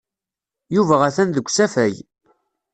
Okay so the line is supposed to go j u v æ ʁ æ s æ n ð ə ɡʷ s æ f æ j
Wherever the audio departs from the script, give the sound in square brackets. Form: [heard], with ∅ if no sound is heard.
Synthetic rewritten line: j u v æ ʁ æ [θ] æ n ð ə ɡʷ s æ f æ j